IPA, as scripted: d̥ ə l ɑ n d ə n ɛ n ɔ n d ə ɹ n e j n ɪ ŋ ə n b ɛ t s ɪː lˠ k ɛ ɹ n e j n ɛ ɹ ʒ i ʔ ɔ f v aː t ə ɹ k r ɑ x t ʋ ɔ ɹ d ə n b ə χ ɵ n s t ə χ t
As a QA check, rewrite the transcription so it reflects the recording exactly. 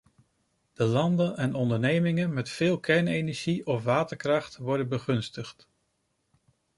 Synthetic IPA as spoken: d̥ ə l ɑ n d ə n ɛ n ɔ n d ə ɹ n e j m ɪ ŋ ə n m ɛ t f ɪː lˠ k ɛ ɹ n e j n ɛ ɹ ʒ i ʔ ɔ f ʋ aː t ə ɹ k r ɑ χ t ʋ ɔ ɹ d ə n b ə χ ɵ n s t ə χ t